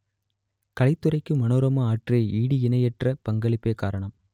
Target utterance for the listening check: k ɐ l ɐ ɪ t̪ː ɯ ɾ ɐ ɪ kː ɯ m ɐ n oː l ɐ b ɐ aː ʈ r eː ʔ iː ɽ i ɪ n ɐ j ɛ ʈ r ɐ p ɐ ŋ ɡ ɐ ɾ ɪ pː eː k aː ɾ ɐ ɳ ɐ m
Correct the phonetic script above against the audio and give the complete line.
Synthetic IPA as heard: k ɐ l ɐ ɪ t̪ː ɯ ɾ ɐ ɪ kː ɯ m ɐ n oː ɾ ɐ m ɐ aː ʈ r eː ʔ iː ɽ i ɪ n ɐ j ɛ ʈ r ɐ p ɐ ŋ ɡ ɐ ɭ ɪ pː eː k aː ɾ ɐ ɳ ɐ m

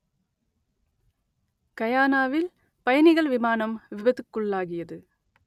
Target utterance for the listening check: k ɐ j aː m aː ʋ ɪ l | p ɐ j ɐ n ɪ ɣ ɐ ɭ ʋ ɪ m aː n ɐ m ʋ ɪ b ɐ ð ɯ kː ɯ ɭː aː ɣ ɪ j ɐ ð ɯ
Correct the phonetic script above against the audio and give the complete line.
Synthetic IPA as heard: k ɐ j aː n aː ʋ ɪ l | p ɐ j ɐ n ɪ ɣ ɐ ɭ ʋ ɪ m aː n ɐ m ʋ ɪ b ɐ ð ɯ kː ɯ ɭː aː ɣ ɪ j ɐ ð ɯ

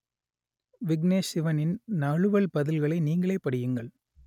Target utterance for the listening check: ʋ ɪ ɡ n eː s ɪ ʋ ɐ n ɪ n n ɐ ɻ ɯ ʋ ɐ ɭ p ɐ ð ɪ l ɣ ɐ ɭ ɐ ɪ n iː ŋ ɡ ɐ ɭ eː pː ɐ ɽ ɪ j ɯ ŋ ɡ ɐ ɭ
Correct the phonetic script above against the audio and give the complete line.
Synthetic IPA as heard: ʋ ɪ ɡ n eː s ɪ ʋ ɐ n ɪ n n ɐ ɻ ɯ ʋ ɐ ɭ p ɐ ð ɪ l ɣ ɐ ɭ ɐ ɪ n iː ŋ ɡ ɐ ɭ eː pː ɐ ɽ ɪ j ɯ ŋ ɡ ɐ ɭ

